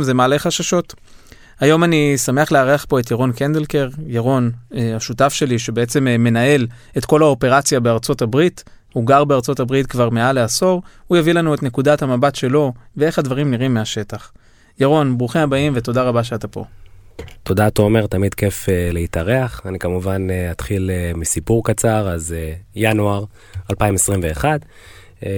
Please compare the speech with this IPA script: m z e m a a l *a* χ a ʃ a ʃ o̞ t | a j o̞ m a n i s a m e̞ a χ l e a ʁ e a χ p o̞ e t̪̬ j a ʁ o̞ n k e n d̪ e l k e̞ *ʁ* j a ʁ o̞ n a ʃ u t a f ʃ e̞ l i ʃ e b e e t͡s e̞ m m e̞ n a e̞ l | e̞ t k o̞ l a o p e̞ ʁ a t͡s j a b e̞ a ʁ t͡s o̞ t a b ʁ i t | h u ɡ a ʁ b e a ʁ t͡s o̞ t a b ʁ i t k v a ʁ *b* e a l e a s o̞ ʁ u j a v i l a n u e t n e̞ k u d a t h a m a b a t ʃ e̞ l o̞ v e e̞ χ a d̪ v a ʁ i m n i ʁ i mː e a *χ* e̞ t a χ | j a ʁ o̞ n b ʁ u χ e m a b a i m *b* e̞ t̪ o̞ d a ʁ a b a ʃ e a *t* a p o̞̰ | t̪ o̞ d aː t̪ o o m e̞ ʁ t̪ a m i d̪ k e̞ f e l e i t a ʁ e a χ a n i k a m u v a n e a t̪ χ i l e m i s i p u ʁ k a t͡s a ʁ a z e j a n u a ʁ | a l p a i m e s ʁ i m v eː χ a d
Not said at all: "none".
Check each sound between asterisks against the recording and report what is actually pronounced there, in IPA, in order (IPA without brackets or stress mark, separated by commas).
e, ʁ, m, ʃ, v, t